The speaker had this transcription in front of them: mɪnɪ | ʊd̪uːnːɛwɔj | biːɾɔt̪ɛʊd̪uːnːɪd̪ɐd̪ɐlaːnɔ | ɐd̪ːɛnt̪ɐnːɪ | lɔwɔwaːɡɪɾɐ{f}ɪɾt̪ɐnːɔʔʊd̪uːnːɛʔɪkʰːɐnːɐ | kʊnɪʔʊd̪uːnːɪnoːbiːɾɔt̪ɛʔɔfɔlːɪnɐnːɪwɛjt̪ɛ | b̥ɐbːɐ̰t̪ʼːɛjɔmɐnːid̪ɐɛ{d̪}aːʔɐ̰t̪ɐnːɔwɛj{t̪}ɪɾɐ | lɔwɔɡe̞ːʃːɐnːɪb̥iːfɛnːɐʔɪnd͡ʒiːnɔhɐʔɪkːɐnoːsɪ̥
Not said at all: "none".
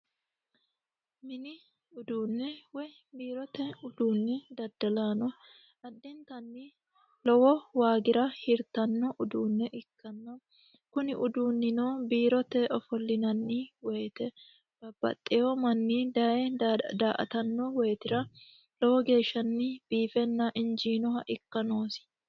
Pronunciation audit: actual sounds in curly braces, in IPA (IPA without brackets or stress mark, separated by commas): h, d̪, t̪